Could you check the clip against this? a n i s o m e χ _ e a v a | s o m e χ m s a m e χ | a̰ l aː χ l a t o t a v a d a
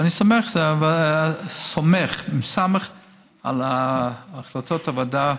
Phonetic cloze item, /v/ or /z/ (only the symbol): z